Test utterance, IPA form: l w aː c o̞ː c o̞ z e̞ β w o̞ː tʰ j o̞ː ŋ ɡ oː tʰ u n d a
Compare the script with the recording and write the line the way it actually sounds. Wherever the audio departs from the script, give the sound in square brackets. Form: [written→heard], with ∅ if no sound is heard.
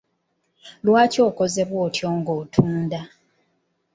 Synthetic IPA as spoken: l w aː c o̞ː [c→k] o̞ z e̞ β w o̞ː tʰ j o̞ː ŋ ɡ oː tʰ [u→uː] n d a

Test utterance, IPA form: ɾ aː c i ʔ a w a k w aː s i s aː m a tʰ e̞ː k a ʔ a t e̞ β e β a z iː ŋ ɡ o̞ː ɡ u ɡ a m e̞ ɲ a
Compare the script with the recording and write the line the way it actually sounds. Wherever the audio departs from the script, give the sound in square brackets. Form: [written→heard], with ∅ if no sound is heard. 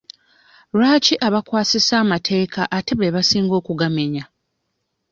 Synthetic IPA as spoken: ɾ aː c i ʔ a [w→β] a k w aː s i s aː m a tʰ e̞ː k a ʔ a t e̞ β e β a [z→s] iː ŋ ɡ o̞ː [ɡ→k] u ɡ a m e̞ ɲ a

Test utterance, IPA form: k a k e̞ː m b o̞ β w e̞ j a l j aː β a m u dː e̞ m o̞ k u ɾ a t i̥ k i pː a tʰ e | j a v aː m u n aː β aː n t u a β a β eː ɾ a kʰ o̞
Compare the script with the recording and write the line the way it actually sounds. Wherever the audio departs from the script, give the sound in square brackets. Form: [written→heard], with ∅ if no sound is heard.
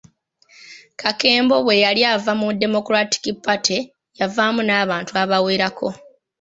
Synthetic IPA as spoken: k a k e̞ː m b o̞ β w e̞ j a l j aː [β→v] a m u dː e̞ m o̞ k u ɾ a t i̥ k i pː a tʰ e | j a v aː m u n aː β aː n t u a β a [β→w] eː ɾ a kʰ o̞

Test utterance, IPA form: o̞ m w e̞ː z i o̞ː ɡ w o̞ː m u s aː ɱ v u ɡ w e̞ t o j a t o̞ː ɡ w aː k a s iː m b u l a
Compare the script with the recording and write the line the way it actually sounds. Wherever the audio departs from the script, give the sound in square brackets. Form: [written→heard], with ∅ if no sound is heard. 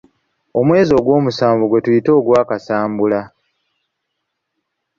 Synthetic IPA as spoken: o̞ m w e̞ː z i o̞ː ɡ w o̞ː m u s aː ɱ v u ɡ w e̞ t [o→u] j [a→i] t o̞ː ɡ w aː k a s [iː→aː] m b u l a

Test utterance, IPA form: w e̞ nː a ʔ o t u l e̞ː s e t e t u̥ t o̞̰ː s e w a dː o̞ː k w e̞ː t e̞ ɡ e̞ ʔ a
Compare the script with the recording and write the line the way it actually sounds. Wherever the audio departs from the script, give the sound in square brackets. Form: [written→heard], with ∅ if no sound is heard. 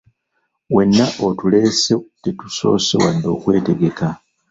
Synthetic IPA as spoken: w e̞ nː a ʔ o t u l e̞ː s e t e t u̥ [t→s] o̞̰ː s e w a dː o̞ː k w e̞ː t e̞ ɡ e̞ [ʔ→k] a

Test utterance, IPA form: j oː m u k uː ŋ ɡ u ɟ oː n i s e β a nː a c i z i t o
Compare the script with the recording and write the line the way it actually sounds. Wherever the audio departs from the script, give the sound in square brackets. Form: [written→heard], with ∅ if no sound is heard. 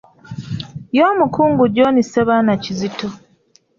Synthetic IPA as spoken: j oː m u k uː ŋ ɡ u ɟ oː n i s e β a [nː→n] a c i z i t o

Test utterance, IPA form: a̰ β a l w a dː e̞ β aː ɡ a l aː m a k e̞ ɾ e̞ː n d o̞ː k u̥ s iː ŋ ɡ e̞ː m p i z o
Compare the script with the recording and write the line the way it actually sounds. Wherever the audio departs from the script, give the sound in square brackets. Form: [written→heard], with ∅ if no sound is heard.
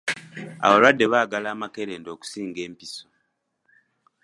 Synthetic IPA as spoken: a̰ β a l w a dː e̞ β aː ɡ a l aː m a k e̞ ɾ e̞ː n d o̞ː k u̥ s iː ŋ ɡ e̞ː m p i [z→s] o

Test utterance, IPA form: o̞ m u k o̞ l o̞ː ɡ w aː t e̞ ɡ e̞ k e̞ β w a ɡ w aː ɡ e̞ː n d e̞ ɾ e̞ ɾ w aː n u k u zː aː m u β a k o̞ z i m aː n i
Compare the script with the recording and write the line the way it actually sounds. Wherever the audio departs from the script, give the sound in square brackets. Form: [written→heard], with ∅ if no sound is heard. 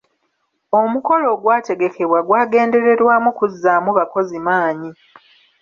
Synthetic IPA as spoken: o̞ m u k o̞ l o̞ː ɡ w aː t e̞ ɡ e̞ k e̞ β w a ɡ w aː ɡ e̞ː n d e̞ ɾ e̞ ɾ w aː [n→m] u k u zː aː m u β a k o̞ z i m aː [n→ɲ] i

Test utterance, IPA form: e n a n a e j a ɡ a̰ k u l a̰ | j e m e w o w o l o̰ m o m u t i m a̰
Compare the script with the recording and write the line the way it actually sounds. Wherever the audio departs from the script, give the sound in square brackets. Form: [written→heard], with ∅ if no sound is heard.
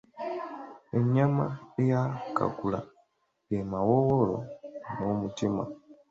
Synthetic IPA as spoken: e [n→ɲ] a [n→m] a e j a [ɡ→k] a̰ k u l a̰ | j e m [e→a] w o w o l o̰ [m→n] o m u t i m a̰

